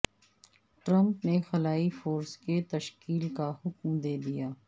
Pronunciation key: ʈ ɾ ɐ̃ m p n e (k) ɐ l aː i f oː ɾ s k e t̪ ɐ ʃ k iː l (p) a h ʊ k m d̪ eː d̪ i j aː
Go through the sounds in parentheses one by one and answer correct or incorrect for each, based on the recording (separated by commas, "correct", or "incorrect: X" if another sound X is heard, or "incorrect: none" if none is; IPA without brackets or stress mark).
incorrect: x, incorrect: k